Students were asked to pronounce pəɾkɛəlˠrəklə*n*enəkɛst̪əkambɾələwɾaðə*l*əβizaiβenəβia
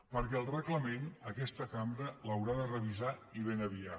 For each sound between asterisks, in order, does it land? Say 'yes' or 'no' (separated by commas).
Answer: no, no